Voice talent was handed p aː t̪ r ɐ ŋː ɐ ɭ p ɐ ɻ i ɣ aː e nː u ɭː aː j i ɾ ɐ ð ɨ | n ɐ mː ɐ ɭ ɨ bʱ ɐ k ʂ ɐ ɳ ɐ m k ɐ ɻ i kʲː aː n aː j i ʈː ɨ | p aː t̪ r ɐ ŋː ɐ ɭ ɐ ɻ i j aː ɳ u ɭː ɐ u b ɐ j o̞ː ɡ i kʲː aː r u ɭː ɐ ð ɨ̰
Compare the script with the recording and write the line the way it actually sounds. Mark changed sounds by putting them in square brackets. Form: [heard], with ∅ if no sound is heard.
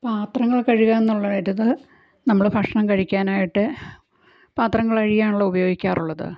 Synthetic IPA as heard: p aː t̪ r ɐ ŋː ɐ ɭ [k] ɐ ɻ i ɣ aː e nː u ɭː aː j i ɾ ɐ ð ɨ | n ɐ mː ɐ ɭ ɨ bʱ ɐ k ʂ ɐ ɳ ɐ m k ɐ ɻ i kʲː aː n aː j i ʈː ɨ | p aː t̪ r ɐ ŋː ɐ ɭ ɐ ɻ i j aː ɳ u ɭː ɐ u b ɐ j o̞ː ɡ i kʲː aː r u ɭː ɐ ð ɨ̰